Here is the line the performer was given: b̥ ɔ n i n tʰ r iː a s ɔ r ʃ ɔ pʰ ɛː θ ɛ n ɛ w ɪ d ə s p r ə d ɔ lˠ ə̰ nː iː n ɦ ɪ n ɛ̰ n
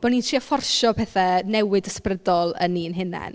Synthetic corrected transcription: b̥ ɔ n i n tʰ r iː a f ɔ r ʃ ɔ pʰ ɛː θ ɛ n ɛ w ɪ d ə s p r ə d ɔ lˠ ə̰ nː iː n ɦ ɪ n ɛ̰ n